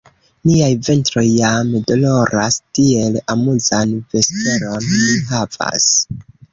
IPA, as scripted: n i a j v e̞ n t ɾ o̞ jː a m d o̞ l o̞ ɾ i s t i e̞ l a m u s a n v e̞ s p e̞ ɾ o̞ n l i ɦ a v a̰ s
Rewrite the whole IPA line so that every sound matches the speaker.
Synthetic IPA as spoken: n i a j v e̞ n t ɾ o̞ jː a m d o̞ l o̞ ɾ a s t i e̞ l a m u z a n v e̞ s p e̞ ɾ o̞ n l i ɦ a v a̰ s